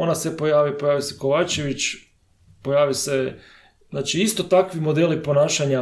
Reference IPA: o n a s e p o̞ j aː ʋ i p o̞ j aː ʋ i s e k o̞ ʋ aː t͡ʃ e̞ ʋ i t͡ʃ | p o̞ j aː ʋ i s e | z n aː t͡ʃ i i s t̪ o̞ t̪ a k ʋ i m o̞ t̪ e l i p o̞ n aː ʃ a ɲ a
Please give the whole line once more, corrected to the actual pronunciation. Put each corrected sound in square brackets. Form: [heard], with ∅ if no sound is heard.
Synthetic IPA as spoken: o n a s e p o̞ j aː ʋ i p o̞ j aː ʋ i s e k o̞ ʋ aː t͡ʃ e̞ ʋ i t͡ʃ | p o̞ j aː ʋ i s e | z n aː t͡ʃ i i s t̪ o̞ t̪ a k ʋ i m o̞ [d̪] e l i p o̞ n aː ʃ a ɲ a